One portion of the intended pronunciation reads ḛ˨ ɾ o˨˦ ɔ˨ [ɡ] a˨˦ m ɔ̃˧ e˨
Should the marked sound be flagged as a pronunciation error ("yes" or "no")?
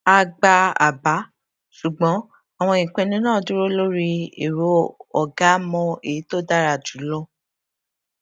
no